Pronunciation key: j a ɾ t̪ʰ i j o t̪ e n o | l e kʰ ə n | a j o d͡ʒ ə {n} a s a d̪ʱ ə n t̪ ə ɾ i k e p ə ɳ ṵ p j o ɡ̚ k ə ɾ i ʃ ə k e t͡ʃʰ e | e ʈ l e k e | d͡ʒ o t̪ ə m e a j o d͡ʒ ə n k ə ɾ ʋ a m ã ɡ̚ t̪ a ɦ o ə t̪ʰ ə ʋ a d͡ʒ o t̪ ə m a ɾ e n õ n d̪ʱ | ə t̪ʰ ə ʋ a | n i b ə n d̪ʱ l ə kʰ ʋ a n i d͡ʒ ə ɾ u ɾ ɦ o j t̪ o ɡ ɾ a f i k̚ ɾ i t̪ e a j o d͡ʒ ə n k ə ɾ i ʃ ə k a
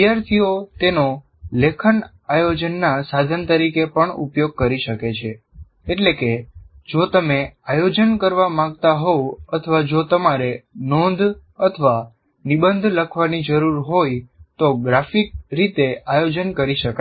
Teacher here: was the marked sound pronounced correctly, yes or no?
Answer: no